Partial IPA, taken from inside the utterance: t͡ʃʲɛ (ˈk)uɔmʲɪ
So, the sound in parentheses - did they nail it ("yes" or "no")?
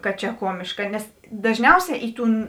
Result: yes